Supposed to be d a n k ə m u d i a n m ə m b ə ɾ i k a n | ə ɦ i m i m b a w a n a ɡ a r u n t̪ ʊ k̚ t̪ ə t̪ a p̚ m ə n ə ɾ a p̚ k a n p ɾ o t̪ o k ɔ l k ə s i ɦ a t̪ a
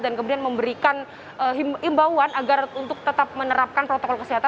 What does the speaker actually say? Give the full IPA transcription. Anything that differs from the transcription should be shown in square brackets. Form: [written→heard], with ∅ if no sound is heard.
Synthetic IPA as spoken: d a n k ə m u d i a n m ə m b ə ɾ i k a n | ə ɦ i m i m b a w a n a ɡ a r u n t̪ ʊ k̚ t̪ ə t̪ a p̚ m ə n ə ɾ a p̚ k a n p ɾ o t̪ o k ɔ l k ə s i ɦ a t̪ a